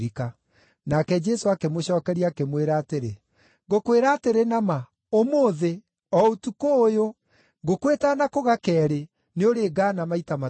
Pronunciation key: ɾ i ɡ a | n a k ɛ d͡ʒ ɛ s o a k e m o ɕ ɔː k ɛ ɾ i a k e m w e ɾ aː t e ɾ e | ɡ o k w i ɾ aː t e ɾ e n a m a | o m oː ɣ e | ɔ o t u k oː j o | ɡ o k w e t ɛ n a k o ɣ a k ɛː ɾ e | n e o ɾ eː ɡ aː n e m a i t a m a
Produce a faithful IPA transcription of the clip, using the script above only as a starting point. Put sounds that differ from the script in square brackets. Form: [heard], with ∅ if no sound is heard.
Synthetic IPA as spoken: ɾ i [k] a | n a k ɛ d͡ʒ ɛ s o a k e m o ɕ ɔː k ɛ ɾ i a k e m w e ɾ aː t e ɾ e | ɡ o k w [e] ɾ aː t e ɾ e n a m a | o m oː [ð] e | ɔ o t u k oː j o | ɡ o k w e t [a] n a k o ɣ a k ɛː ɾ e | n e o ɾ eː ɡ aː n [a] m a i t a m a